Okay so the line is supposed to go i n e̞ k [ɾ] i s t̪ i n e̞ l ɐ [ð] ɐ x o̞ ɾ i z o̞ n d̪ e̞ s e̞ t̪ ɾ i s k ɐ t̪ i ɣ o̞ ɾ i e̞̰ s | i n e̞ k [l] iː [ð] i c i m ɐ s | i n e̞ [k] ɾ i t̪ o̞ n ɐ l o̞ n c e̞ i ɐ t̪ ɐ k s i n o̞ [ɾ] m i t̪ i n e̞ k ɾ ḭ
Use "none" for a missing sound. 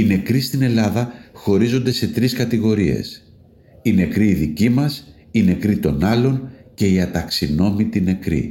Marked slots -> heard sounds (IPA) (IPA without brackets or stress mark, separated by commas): ɾ, ð, ɾ, ð, k, none